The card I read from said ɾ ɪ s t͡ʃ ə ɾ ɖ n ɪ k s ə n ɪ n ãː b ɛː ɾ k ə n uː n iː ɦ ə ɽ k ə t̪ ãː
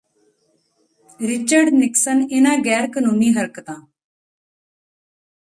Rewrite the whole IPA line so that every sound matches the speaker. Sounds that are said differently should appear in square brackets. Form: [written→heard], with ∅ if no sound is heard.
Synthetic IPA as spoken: ɾ ɪ [s→∅] t͡ʃ ə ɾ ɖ n ɪ k s ə n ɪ n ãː [b→ɡ] ɛː ɾ k ə n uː n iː ɦ ə [ɽ→ɾ] k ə t̪ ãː